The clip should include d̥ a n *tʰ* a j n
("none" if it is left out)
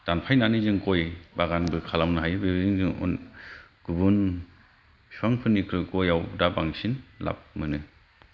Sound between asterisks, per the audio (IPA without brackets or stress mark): pʰ